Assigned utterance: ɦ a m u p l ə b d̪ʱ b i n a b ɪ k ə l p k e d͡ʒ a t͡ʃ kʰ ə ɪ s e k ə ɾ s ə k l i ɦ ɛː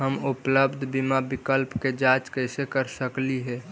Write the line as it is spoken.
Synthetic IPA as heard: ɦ ə m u p l ə b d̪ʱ b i m a b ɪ k ə l p k e d͡ʒ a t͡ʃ k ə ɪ s e k ə ɾ s ə k l i ɦ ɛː

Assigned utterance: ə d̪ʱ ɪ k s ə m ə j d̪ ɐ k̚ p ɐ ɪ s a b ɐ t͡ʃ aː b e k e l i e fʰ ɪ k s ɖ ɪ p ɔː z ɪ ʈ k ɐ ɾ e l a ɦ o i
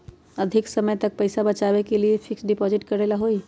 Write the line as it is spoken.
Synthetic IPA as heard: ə d̪ʱ ɪ k s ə m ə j t̪ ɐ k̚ p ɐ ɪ s a b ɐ t͡ʃ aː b e k e l i e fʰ ɪ k s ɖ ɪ p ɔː z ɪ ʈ k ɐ ɾ e l a ɦ o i

